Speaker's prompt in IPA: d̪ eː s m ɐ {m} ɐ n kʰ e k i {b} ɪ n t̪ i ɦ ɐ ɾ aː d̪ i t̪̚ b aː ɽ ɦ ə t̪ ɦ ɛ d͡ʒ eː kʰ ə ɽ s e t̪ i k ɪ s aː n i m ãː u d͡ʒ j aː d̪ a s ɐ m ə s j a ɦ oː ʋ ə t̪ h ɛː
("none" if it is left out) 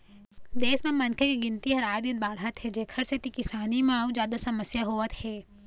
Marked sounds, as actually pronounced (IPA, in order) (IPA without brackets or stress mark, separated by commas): m, ɡ